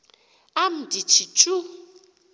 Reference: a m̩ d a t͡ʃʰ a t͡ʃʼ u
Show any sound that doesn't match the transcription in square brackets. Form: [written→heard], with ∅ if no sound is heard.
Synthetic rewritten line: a m̩ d [a→i] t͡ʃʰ [a→i] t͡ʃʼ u